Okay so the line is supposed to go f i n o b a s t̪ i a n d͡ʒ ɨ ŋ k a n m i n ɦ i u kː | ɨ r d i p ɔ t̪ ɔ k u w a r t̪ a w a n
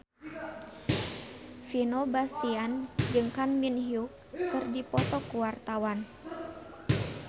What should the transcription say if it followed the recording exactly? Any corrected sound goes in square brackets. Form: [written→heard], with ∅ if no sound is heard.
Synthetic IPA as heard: f i n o b a s t̪ i a n d͡ʒ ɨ ŋ k a n m i n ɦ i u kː | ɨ r d i p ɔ t̪ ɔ k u w a r t̪ a w a n